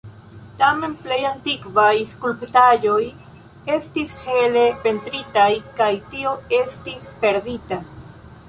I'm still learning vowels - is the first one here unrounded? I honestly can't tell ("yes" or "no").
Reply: yes